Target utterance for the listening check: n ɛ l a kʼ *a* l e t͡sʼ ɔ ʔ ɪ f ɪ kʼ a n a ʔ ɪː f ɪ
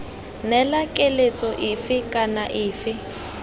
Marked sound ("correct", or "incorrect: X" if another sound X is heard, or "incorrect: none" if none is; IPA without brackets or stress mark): incorrect: e